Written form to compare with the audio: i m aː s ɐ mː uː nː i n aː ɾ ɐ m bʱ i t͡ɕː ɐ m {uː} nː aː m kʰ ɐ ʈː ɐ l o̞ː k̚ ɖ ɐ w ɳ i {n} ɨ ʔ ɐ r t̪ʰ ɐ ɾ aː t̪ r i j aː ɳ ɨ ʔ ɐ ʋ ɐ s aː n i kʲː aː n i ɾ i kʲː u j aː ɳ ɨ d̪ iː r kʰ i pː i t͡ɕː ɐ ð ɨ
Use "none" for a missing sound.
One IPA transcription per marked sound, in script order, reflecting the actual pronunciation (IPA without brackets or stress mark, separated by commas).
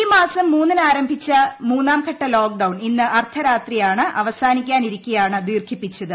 uː, nː